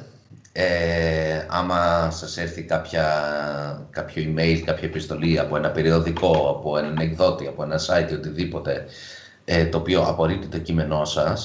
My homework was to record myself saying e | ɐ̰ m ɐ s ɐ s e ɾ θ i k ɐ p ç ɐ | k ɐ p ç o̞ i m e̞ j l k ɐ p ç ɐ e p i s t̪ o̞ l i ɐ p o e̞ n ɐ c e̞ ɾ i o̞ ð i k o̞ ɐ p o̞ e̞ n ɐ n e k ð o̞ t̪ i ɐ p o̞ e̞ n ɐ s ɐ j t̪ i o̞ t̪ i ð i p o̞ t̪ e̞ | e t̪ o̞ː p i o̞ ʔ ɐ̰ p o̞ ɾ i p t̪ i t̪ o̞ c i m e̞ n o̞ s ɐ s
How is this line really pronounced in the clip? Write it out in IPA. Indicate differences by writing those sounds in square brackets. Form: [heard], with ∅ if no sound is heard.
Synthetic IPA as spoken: e | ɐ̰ m ɐ s ɐ s e ɾ θ i k ɐ p ç ɐ | k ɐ p ç o̞ i m e̞ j l k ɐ p ç ɐ e p i s t̪ o̞ l i ɐ p o e̞ n ɐ [p] e̞ ɾ i o̞ ð i k o̞ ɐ p o̞ e̞ n ɐ n e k ð o̞ t̪ i ɐ p o̞ e̞ n ɐ s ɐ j t̪ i o̞ t̪ i ð i p o̞ t̪ e̞ | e t̪ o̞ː p i o̞ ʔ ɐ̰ p o̞ ɾ i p t̪ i t̪ o̞ c i m e̞ n o̞ s ɐ s